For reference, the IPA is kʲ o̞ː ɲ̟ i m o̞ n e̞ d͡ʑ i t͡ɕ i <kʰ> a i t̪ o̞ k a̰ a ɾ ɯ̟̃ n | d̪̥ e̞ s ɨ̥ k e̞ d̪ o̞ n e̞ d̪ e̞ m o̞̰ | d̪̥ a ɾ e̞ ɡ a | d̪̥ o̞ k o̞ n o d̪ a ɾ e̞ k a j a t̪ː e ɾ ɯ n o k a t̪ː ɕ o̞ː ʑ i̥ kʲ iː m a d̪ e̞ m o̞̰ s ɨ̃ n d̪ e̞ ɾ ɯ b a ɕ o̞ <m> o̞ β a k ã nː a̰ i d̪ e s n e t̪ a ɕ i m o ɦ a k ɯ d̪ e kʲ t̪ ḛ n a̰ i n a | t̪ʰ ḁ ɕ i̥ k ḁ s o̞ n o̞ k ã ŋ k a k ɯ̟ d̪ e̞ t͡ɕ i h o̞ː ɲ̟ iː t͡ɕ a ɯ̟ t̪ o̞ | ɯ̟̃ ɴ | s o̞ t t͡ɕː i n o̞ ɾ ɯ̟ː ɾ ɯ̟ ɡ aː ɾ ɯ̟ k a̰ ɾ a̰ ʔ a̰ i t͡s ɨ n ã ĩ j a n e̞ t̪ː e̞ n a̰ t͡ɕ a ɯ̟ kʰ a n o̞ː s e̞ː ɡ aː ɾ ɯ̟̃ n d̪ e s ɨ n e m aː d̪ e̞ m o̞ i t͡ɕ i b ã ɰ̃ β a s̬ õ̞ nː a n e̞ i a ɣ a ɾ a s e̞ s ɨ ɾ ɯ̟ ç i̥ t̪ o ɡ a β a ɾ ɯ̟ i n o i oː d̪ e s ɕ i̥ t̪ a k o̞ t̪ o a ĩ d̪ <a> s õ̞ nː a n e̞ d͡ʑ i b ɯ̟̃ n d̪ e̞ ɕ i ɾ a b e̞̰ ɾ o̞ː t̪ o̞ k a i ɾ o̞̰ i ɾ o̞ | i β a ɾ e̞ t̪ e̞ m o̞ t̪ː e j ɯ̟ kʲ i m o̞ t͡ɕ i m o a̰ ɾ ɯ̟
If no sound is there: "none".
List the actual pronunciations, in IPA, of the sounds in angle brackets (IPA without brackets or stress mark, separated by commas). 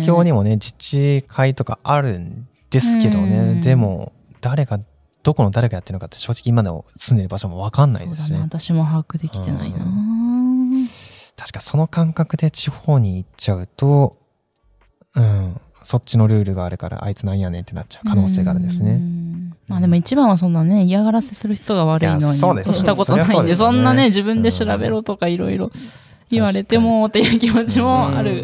kʰ, m, e